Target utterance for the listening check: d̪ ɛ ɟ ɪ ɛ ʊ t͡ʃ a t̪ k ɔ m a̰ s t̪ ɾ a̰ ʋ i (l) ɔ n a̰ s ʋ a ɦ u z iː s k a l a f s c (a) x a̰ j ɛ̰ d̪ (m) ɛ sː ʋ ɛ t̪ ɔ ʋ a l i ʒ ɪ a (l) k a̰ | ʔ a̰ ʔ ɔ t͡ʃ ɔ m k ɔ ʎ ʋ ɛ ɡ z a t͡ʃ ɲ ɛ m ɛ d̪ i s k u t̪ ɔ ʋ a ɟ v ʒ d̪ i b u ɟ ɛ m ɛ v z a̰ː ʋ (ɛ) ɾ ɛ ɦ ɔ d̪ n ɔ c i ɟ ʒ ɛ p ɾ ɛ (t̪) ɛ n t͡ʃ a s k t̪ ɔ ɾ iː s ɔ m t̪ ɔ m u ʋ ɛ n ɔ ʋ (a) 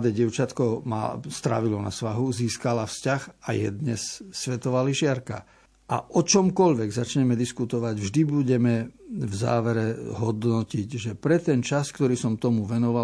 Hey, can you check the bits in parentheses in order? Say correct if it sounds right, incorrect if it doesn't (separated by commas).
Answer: correct, correct, incorrect, incorrect, correct, correct, correct